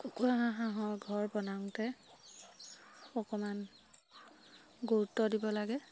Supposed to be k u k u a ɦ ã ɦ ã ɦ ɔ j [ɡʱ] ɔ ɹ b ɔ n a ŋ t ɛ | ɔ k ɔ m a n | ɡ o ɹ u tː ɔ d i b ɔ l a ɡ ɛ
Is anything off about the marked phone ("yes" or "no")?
no